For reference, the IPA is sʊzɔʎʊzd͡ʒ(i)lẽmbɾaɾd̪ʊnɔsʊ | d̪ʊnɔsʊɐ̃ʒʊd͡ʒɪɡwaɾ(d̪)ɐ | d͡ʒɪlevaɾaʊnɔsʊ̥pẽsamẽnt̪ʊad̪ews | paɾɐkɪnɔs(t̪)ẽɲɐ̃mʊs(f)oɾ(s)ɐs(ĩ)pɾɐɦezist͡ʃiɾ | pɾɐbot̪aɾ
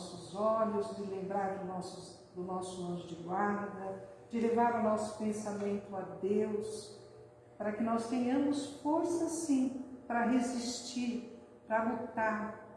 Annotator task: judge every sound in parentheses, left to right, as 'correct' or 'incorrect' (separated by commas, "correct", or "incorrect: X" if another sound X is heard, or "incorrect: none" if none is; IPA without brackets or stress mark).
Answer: incorrect: ɪ, correct, correct, correct, correct, correct